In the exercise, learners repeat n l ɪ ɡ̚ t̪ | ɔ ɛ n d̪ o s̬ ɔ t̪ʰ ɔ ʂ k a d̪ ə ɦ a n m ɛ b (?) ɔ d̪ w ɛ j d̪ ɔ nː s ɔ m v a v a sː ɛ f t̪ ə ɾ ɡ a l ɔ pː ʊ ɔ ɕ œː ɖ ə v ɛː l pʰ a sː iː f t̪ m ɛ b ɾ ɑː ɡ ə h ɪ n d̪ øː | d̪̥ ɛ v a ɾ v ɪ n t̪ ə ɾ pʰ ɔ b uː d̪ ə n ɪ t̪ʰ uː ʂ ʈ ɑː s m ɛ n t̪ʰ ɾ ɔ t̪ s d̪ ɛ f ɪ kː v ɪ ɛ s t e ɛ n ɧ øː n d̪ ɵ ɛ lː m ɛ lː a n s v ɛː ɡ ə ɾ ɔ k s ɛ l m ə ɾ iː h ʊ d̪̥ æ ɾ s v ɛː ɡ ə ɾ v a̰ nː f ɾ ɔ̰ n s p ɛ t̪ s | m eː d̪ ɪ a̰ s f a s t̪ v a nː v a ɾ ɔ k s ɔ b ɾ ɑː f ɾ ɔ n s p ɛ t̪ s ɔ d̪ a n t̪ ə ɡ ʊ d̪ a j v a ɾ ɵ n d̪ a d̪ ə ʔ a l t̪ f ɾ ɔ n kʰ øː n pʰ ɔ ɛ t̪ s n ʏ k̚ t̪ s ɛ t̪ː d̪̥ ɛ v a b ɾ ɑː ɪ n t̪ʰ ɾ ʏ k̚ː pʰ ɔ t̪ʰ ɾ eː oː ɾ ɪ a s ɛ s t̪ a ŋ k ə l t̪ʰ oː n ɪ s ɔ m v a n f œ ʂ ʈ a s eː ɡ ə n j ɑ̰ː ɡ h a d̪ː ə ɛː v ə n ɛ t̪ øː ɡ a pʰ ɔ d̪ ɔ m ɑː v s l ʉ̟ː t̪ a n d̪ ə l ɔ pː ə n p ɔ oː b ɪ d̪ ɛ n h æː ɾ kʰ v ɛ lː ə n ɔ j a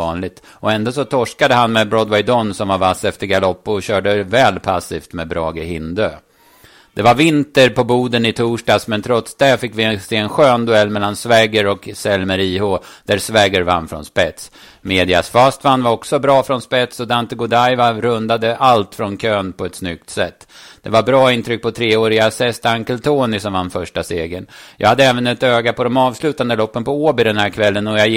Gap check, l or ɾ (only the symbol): ɾ